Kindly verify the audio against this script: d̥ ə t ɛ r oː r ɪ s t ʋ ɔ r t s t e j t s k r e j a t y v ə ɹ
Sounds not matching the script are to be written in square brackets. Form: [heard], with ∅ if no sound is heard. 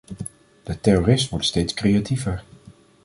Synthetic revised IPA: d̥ ə t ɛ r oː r ɪ s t ʋ ɔ [ɹ] t s t e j t s k r e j a t [i] v ə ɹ